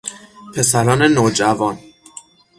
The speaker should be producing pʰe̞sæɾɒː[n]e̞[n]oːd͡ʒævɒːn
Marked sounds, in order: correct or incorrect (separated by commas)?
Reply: correct, correct